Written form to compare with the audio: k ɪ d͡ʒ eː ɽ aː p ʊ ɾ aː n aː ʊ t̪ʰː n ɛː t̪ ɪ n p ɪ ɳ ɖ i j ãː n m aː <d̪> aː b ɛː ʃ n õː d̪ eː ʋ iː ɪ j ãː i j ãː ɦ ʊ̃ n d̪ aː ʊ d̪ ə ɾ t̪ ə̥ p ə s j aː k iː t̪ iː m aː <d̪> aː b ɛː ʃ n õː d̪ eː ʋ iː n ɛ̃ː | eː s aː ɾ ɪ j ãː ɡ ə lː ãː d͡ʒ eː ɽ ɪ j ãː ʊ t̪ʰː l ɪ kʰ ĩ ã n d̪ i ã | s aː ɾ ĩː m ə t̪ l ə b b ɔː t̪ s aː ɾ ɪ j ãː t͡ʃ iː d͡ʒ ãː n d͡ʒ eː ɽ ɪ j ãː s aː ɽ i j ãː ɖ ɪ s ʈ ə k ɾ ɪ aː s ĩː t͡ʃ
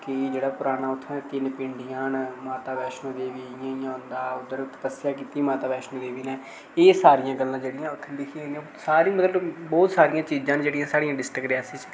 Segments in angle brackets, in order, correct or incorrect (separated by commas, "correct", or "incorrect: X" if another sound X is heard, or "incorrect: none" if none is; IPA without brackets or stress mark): incorrect: t̪, incorrect: t̪